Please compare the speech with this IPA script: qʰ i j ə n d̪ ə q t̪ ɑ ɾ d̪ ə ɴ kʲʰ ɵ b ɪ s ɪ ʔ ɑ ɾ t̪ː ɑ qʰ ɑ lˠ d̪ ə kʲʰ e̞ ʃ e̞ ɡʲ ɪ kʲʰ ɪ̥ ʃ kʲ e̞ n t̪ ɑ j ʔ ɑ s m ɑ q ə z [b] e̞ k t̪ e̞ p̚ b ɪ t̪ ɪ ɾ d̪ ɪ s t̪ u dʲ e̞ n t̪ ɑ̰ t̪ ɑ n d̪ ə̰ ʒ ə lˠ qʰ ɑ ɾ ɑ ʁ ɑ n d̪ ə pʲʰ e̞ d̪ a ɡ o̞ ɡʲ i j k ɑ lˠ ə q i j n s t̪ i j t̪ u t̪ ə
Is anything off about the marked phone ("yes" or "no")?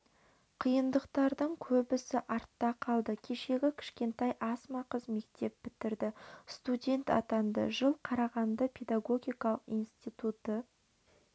yes